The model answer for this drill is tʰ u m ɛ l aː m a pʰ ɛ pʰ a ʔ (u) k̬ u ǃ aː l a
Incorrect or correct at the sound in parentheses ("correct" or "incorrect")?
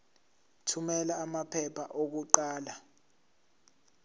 incorrect